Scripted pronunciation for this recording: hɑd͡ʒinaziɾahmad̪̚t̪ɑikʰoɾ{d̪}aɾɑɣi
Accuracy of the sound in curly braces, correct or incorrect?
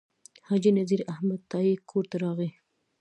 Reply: incorrect